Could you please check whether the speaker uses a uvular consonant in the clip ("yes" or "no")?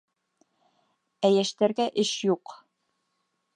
yes